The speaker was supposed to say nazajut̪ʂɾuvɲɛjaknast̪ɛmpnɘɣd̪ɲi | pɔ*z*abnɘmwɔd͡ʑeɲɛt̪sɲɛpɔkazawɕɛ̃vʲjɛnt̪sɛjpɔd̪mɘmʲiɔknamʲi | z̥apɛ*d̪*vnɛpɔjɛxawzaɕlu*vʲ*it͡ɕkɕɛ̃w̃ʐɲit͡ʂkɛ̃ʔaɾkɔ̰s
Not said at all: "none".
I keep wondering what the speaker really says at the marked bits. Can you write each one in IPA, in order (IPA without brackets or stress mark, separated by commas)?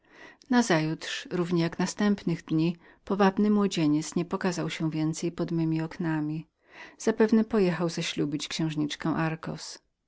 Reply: v, none, bʲ